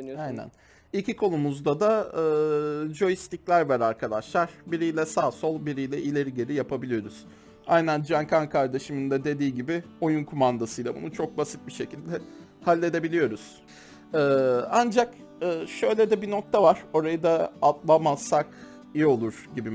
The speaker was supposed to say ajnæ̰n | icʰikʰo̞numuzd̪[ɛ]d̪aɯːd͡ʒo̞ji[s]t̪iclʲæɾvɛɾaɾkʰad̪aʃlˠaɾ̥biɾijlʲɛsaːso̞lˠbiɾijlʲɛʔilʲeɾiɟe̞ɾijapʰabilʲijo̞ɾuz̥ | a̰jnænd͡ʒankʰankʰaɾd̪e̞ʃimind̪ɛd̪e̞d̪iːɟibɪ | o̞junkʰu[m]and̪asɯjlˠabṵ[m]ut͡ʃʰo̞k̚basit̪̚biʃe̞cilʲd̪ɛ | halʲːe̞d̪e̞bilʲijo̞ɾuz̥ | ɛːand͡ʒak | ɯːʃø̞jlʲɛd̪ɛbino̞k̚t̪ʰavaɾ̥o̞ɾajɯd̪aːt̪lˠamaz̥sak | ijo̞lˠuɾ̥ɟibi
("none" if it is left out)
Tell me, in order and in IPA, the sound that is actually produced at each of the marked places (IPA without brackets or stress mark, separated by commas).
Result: a, s, m, n